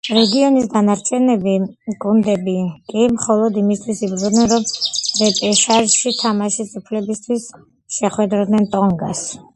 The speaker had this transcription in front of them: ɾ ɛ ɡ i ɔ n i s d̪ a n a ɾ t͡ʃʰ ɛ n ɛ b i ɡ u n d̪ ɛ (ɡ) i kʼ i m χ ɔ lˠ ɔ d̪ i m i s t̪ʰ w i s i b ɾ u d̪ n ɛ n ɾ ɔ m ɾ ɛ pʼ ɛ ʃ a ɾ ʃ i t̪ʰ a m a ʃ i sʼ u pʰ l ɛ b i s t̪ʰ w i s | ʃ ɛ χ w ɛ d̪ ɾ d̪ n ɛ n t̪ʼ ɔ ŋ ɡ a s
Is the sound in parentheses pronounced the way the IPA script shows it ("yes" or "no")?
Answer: no